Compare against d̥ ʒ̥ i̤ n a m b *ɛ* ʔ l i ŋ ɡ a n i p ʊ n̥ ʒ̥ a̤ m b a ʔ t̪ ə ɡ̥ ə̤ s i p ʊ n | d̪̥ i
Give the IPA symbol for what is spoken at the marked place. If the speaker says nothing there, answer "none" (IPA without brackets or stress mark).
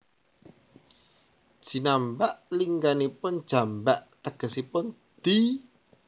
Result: a